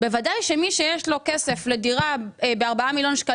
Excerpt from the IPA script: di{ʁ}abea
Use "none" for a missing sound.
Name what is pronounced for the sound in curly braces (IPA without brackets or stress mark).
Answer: ʁ